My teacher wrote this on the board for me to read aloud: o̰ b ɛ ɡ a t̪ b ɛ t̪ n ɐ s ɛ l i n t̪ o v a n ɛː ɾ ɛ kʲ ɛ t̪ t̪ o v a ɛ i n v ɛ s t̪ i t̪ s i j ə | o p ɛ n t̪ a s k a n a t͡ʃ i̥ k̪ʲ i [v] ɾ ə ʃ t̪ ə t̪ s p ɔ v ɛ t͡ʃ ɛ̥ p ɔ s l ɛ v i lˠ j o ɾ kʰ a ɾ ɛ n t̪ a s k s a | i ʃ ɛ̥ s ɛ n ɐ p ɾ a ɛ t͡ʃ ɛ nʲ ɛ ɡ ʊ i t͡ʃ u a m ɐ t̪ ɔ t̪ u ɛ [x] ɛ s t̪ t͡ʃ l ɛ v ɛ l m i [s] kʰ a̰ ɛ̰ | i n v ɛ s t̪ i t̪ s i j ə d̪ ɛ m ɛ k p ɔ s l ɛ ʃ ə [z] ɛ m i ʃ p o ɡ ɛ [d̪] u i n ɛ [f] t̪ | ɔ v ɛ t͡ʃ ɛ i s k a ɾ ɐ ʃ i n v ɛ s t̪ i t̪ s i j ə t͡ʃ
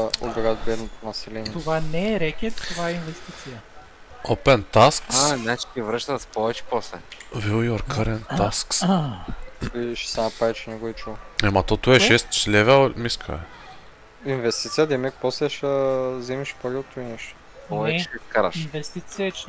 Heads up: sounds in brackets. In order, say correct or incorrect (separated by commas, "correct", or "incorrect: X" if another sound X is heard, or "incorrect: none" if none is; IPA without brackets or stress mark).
correct, incorrect: ʃ, correct, correct, incorrect: t̪, incorrect: ʃ